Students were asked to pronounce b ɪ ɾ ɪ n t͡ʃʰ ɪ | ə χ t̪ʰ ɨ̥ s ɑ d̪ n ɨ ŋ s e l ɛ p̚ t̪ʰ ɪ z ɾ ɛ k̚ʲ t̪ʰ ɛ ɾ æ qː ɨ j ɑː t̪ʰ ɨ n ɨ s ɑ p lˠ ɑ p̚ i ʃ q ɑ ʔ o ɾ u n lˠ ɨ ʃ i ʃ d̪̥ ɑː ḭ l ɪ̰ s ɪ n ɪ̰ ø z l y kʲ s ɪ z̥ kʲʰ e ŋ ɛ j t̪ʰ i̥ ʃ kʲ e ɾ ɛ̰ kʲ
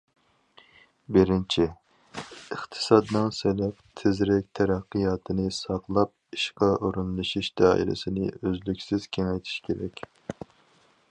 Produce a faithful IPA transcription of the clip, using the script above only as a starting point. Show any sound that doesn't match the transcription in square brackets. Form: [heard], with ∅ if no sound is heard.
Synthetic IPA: b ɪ ɾ ɪ n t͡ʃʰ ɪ | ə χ t̪ʰ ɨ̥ s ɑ d̪ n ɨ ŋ s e l ɛ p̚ t̪ʰ ɪ z ɾ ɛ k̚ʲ t̪ʰ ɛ ɾ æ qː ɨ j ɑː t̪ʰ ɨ n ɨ s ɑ [q] lˠ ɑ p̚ i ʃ q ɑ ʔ o ɾ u n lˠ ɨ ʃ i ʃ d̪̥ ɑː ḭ l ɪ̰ s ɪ n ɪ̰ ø z l y kʲ s ɪ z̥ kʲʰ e ŋ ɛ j t̪ʰ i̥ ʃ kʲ e ɾ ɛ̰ kʲ